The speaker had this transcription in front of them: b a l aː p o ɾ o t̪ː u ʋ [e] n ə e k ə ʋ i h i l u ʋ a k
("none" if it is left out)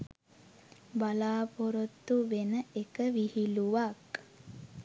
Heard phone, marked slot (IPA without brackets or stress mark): e